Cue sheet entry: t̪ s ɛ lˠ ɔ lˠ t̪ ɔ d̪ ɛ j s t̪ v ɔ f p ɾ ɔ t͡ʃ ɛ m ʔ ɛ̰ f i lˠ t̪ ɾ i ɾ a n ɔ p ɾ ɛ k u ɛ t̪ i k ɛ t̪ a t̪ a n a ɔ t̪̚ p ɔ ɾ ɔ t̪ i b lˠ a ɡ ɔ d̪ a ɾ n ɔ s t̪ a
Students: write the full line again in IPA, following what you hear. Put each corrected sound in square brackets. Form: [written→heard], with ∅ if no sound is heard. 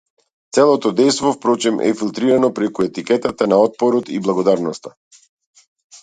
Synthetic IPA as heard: t̪ s ɛ lˠ ɔ [lˠ→∅] t̪ ɔ d̪ ɛ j s t̪ v ɔ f p ɾ ɔ t͡ʃ ɛ m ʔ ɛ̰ f i lˠ t̪ ɾ i ɾ a n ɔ p ɾ ɛ k u ɛ t̪ i k ɛ t̪ a t̪ a n a ɔ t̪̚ p ɔ ɾ ɔ t̪ i b lˠ a ɡ ɔ d̪ a ɾ n ɔ s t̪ a